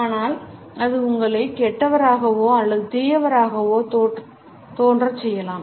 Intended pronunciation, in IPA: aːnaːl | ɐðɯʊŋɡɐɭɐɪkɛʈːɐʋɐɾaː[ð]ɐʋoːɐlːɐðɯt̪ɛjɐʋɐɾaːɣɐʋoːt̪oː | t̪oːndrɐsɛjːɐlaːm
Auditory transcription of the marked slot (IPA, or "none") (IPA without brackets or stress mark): ɣ